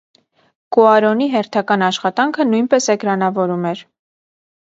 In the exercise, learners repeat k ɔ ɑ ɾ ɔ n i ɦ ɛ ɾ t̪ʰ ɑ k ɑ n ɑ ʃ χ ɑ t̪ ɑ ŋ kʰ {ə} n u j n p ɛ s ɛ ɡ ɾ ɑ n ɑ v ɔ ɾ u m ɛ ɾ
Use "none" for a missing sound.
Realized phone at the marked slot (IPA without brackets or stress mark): ə